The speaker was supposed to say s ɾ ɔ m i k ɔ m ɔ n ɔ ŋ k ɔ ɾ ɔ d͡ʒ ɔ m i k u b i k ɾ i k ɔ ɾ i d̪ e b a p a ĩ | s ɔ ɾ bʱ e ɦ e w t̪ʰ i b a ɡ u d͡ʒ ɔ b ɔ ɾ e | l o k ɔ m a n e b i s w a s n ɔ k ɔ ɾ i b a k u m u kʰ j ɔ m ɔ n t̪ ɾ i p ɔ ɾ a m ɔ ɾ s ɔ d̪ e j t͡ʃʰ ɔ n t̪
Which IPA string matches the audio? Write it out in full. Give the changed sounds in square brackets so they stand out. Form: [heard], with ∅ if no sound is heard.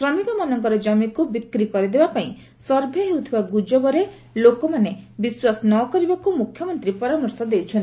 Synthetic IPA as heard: s ɾ ɔ m i k ɔ m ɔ n ɔ ŋ k ɔ ɾ ɔ d͡ʒ ɔ m i k u b i k ɾ i k ɔ ɾ i d̪ e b a p a ĩ | s ɔ ɾ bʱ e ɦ e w t̪ʰ i b a ɡ u d͡ʒ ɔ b ɔ ɾ e | l o k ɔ m a n e b i s w a s n ɔ k ɔ ɾ i b a k u m u kʰ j ɔ m ɔ n t̪ ɾ i p ɔ ɾ a m ɔ ɾ s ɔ d̪ e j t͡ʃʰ ɔ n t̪